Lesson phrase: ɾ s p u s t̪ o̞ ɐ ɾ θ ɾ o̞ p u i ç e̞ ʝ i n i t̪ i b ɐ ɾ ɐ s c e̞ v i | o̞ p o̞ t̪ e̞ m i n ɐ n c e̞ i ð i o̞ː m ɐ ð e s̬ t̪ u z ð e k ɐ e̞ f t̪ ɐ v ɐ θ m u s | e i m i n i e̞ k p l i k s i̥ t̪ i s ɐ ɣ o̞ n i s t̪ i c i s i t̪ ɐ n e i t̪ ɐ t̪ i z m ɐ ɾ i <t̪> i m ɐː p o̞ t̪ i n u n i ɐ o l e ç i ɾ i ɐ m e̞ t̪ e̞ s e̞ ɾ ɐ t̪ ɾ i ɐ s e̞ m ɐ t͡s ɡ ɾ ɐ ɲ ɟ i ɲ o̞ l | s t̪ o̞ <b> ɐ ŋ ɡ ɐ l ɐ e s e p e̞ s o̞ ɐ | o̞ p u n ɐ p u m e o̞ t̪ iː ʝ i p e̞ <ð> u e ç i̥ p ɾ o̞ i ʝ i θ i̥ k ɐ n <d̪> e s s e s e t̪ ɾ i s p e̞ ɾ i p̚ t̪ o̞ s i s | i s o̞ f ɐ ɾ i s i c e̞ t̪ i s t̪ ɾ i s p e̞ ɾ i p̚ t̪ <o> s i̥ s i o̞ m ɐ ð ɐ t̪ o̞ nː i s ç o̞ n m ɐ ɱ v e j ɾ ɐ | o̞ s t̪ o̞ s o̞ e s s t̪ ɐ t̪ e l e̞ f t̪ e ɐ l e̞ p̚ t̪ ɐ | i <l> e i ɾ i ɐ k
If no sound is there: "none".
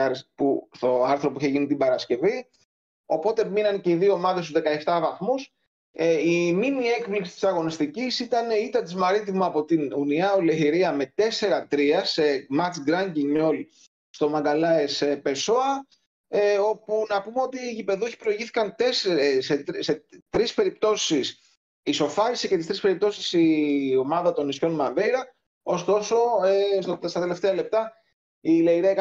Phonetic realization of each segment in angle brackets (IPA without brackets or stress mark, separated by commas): t̪, m, ð, t̪, o, l